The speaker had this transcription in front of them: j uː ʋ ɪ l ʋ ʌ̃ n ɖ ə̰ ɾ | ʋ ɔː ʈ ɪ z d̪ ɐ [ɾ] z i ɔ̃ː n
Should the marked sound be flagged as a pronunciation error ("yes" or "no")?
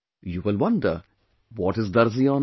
no